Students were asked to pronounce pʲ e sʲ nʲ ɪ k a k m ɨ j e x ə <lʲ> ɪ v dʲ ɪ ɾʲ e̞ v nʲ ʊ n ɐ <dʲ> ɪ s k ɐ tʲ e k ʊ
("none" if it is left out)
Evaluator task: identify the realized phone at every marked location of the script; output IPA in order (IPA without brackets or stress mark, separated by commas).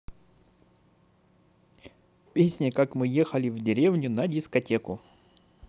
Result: lʲ, dʲ